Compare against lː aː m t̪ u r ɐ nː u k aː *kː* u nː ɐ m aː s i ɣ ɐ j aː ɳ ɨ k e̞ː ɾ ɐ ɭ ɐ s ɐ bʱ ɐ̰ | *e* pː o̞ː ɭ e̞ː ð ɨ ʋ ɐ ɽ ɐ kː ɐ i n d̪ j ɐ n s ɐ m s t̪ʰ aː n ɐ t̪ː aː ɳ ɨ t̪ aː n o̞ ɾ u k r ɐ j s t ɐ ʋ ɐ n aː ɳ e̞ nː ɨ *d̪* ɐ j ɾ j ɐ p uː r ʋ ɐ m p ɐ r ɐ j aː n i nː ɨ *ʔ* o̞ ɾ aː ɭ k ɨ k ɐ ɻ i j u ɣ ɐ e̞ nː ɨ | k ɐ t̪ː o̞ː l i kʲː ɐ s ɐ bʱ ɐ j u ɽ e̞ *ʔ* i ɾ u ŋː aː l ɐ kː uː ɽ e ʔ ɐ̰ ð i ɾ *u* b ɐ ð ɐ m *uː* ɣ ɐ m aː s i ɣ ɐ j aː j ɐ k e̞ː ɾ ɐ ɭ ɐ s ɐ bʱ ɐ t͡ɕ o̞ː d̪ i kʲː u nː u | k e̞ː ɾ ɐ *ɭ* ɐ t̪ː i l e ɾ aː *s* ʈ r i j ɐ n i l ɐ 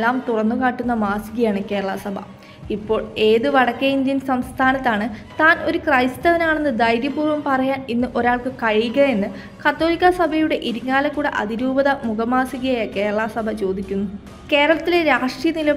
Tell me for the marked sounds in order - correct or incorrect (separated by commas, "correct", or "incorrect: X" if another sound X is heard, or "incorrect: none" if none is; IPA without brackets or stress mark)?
incorrect: ʈː, incorrect: i, correct, correct, correct, incorrect: uː, incorrect: u, correct, incorrect: ʂ